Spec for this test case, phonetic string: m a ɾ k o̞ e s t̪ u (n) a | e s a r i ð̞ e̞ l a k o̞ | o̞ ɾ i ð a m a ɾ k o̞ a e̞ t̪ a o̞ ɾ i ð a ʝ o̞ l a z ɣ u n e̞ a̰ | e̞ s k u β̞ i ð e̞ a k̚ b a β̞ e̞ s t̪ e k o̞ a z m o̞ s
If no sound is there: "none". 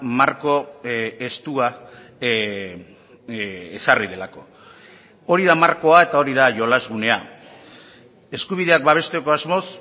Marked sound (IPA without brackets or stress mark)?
none